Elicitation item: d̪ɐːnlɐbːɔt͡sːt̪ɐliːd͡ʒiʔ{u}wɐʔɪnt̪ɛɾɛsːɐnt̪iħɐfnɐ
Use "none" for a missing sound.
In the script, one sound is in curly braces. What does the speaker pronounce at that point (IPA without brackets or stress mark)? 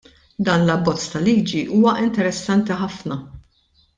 uː